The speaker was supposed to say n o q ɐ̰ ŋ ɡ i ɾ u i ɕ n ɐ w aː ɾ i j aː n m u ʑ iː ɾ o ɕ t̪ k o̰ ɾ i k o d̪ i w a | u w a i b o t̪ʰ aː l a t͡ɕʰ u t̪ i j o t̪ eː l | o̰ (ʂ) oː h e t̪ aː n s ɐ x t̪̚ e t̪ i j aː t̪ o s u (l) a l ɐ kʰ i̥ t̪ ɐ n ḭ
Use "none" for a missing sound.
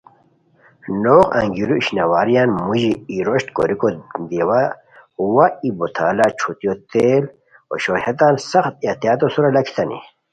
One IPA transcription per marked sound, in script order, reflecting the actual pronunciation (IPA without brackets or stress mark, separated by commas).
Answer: ɕ, ɾ